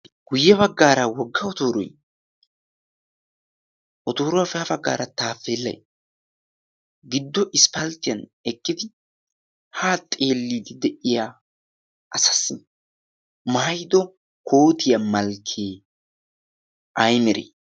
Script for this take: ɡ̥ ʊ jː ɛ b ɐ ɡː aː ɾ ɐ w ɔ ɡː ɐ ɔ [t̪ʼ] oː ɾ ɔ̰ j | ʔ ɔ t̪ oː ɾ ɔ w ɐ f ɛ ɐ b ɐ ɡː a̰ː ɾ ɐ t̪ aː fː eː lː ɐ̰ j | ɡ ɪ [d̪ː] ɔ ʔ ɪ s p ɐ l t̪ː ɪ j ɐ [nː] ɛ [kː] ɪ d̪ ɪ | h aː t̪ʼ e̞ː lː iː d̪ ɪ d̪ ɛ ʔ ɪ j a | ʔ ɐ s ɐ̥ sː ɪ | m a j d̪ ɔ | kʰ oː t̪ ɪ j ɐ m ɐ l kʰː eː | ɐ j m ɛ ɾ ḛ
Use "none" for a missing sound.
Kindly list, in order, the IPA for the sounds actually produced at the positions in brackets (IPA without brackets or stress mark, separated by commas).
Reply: t̪, d̪ː, n, kː